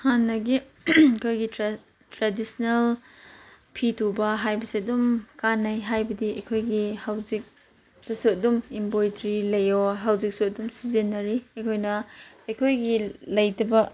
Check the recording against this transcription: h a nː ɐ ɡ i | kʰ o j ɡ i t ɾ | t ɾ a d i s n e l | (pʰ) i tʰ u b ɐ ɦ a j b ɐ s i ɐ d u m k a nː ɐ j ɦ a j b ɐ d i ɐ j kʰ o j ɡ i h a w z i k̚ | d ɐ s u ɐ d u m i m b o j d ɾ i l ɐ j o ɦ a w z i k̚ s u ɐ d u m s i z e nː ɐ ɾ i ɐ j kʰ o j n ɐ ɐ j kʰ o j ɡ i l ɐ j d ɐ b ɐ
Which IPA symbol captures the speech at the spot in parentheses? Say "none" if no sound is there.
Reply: pʰ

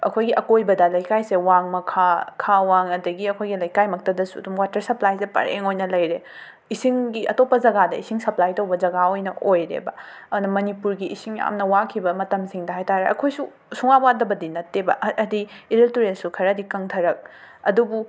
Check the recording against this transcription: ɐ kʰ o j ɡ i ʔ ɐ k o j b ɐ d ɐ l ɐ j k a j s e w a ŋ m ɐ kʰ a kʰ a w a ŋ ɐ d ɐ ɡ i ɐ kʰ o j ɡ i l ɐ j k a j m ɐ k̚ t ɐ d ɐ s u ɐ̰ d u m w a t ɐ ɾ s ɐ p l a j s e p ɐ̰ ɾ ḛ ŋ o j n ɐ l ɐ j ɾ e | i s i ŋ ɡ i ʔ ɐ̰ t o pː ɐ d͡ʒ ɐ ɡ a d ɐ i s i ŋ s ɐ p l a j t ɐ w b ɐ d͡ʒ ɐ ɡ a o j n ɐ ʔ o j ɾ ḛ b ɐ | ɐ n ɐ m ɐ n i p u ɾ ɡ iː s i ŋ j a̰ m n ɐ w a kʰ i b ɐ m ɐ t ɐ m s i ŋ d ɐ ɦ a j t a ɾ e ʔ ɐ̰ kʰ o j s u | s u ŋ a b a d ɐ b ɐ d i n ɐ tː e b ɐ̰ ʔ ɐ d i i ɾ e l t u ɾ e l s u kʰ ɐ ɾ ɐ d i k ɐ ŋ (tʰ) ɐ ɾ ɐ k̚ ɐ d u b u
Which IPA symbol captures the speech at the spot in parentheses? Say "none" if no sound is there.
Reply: tʰ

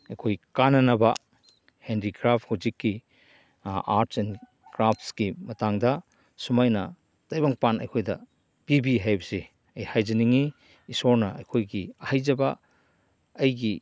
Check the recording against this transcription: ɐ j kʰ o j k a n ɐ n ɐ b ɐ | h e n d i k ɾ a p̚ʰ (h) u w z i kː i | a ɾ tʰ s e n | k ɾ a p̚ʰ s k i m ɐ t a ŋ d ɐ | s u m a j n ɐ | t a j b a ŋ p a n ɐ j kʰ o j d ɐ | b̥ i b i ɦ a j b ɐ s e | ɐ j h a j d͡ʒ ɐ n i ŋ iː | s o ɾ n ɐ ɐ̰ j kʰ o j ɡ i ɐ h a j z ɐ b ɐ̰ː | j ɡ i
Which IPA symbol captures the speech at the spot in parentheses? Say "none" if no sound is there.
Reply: h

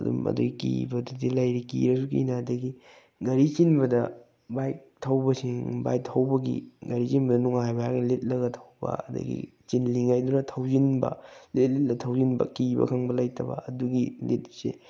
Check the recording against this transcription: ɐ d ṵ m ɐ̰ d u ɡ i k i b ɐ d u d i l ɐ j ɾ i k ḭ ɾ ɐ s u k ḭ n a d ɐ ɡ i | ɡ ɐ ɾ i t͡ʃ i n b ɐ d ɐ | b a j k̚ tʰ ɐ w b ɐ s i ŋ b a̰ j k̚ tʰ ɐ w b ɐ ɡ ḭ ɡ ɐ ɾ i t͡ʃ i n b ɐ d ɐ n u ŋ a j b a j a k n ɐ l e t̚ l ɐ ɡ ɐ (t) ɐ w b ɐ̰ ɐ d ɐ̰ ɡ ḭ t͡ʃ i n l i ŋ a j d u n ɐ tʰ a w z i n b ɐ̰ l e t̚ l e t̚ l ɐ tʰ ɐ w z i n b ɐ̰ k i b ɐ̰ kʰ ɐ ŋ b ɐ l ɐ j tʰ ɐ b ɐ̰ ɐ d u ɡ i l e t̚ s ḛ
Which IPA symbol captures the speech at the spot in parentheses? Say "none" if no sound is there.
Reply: tʰ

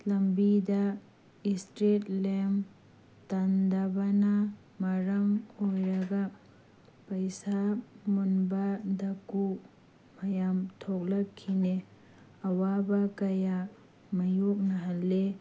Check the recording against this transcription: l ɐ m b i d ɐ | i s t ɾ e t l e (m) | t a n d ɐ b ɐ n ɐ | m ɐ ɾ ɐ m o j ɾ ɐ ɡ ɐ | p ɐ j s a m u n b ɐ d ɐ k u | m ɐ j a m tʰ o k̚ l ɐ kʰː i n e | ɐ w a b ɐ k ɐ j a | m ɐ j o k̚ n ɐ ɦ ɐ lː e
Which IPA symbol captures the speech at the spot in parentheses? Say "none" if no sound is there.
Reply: m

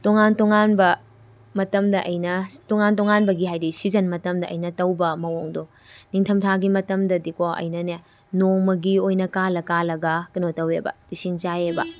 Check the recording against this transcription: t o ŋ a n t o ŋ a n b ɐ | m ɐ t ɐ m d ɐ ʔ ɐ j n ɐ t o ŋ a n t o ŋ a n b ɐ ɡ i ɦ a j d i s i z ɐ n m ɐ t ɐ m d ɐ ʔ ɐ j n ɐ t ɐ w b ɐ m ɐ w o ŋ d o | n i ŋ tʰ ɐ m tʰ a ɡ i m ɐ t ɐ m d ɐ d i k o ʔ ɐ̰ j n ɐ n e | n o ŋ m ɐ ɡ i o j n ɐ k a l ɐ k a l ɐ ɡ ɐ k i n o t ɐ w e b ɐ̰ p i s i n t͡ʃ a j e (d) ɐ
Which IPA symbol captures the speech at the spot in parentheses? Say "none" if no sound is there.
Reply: b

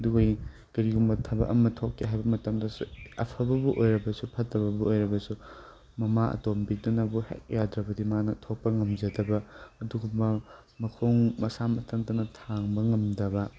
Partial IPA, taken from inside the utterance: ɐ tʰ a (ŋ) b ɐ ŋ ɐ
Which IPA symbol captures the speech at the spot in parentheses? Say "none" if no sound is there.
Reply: ŋ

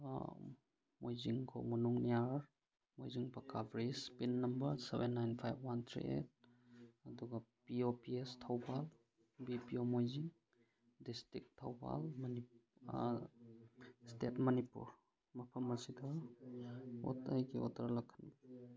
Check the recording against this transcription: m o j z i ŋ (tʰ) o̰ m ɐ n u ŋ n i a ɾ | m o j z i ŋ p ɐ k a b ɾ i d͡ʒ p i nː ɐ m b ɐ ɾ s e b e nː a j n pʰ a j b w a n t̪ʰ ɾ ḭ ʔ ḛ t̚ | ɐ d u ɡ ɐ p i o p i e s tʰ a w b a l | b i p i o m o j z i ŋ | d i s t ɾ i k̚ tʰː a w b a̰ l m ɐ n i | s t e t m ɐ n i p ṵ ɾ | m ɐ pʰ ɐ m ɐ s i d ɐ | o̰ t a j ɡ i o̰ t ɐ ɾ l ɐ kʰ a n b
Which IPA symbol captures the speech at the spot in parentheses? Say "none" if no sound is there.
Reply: kʰ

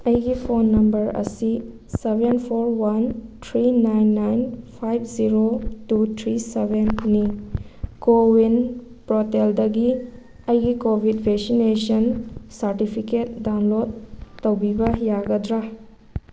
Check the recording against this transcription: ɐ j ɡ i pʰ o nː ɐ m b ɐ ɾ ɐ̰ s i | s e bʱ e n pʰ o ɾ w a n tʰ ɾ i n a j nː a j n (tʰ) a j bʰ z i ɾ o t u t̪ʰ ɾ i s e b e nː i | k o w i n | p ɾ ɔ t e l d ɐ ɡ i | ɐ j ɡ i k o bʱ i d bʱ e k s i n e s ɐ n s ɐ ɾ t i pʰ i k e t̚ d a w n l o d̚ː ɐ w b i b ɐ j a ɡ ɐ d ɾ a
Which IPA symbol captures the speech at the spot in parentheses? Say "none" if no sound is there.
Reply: pʰ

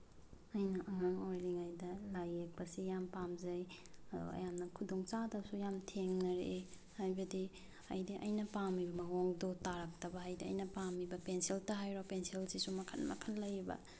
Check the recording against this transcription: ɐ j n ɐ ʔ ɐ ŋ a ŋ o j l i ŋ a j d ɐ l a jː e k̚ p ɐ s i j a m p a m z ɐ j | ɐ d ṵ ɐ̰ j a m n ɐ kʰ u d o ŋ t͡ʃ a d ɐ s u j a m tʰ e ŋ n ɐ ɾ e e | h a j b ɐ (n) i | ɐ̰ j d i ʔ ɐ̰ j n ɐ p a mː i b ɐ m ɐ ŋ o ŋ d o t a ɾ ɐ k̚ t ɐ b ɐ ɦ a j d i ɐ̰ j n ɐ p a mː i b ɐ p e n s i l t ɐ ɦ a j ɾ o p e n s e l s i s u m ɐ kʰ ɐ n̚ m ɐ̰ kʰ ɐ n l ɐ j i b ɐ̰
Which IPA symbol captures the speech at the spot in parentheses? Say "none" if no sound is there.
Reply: d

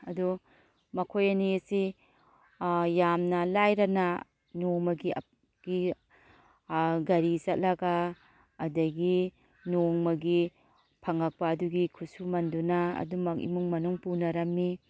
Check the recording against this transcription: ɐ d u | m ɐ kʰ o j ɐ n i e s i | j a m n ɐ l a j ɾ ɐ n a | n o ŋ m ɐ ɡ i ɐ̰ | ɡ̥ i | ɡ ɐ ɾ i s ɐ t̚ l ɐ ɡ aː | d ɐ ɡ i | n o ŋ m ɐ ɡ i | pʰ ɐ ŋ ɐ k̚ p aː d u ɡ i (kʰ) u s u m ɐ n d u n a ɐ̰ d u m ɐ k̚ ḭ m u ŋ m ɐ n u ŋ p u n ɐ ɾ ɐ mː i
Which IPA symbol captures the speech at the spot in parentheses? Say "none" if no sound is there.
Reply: kʰ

